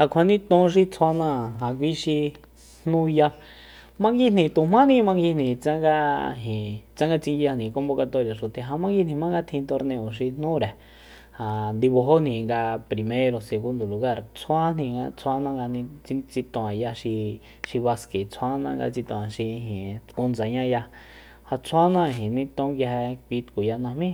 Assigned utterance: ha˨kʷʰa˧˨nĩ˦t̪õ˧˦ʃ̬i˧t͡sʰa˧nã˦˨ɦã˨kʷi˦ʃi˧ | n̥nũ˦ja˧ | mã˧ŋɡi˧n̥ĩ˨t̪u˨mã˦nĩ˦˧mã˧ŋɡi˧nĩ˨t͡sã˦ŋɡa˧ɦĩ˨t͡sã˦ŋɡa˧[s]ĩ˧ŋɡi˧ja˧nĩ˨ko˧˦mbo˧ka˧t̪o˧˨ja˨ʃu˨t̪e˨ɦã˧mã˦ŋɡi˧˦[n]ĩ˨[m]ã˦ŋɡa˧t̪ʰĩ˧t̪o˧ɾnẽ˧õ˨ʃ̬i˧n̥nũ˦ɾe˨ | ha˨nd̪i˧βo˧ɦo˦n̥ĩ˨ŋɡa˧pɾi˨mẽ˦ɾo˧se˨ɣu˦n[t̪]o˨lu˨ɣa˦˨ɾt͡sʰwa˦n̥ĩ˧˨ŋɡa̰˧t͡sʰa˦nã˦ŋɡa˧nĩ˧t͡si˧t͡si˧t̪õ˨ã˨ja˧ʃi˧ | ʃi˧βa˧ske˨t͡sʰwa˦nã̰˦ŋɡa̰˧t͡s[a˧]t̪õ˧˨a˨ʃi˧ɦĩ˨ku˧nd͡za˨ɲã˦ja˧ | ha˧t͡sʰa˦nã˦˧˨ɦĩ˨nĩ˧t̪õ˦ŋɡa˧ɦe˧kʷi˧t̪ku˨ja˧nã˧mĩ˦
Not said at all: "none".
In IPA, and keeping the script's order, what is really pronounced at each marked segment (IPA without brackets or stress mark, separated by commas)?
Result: t͡s, n, m, d̪, i˧